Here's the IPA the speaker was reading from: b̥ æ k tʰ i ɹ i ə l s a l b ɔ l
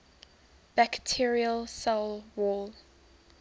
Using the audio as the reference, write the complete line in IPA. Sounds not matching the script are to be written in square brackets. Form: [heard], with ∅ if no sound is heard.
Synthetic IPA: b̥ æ k tʰ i ɹ i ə l s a l [w] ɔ l

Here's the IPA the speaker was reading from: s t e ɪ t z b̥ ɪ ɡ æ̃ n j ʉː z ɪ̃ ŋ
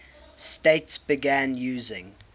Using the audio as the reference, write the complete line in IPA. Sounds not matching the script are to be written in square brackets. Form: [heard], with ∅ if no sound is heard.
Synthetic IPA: s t e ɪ t [s] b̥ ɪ ɡ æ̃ n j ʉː z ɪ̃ ŋ

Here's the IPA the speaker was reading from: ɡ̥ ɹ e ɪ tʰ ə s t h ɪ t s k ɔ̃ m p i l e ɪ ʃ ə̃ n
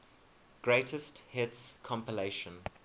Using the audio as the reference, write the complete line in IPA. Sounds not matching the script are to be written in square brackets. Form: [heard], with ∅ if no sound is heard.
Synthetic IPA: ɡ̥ ɹ e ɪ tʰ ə s t h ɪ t s [kʰ] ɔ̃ m p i l e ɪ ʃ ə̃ n

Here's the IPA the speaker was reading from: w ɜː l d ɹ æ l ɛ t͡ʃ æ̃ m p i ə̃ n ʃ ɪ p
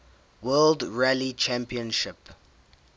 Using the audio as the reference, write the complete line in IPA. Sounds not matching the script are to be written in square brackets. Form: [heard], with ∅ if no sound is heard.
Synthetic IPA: w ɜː l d ɹ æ l [i] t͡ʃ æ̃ m p i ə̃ n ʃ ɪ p

